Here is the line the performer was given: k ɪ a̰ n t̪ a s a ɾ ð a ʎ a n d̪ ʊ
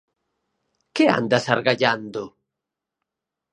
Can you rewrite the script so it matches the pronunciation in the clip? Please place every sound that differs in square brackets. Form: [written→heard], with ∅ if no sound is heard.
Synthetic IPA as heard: k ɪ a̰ n [t̪→d̪] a s a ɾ [ð→ɣ] a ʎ a n d̪ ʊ